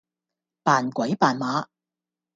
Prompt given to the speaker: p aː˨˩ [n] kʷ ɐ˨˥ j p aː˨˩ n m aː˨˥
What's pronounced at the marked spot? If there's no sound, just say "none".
n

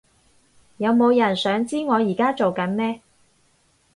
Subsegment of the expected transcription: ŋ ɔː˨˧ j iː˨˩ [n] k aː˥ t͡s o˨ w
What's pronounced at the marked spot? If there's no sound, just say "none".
none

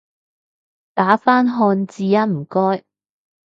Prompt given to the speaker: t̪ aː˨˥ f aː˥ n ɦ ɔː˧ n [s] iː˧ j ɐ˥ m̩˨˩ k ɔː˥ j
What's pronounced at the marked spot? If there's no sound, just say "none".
t͡s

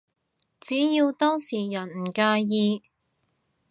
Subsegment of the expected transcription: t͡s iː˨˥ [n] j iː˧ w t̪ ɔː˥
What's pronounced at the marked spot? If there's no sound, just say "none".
none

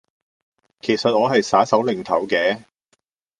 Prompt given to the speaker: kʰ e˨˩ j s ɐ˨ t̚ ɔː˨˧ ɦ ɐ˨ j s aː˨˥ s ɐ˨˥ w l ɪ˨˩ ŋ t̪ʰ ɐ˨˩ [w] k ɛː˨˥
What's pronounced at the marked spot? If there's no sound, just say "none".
w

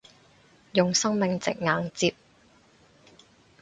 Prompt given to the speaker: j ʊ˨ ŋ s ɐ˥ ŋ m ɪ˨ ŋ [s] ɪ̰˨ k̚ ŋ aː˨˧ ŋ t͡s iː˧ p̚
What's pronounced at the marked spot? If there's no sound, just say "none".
t͡s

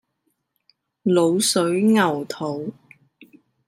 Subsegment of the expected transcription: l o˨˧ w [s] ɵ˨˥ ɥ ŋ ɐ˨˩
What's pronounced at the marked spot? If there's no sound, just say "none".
s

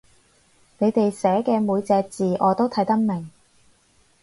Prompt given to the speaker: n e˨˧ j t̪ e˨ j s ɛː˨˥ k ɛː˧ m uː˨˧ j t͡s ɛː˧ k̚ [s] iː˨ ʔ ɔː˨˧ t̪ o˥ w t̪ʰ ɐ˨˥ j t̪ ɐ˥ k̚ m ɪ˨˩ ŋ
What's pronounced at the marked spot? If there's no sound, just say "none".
t͡s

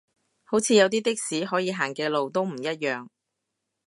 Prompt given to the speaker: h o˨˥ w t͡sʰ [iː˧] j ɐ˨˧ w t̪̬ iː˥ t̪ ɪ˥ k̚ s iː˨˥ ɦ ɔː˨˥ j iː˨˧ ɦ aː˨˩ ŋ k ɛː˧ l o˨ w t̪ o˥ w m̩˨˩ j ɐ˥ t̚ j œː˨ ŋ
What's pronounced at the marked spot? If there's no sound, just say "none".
iː˧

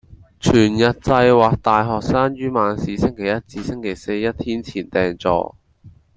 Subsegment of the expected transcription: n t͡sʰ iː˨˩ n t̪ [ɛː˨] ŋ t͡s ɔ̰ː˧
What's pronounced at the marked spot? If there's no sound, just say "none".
ɛː˨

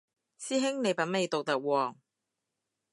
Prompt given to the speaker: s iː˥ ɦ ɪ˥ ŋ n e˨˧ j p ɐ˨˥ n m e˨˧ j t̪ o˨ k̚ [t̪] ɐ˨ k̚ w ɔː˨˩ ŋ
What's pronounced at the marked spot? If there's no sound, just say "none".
t̪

